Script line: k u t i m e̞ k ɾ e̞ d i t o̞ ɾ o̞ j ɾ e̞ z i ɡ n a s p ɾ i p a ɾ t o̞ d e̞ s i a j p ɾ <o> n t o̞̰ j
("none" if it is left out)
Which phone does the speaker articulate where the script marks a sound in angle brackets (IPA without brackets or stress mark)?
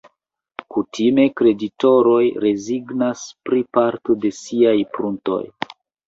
u